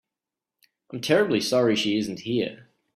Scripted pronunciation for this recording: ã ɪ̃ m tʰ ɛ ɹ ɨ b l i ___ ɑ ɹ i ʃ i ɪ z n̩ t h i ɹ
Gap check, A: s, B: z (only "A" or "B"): A